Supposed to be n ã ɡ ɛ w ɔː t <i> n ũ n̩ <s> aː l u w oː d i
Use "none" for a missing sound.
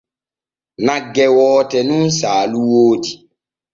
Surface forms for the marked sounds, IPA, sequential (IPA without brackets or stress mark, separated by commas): ɛ, s